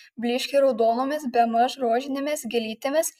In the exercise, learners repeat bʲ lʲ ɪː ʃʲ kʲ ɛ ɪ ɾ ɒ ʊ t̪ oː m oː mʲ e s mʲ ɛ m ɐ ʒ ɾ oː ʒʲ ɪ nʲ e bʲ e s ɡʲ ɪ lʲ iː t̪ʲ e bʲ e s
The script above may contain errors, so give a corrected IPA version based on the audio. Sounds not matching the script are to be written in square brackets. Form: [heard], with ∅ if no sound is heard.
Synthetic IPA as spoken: bʲ lʲ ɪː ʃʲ kʲ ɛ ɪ ɾ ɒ ʊ [d̪] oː [n] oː mʲ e s [bʲ] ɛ m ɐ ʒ ɾ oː ʒʲ ɪ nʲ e [mʲ] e s ɡʲ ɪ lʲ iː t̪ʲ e [mʲ] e s